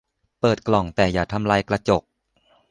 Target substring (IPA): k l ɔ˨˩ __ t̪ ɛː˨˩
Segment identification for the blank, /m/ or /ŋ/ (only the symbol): ŋ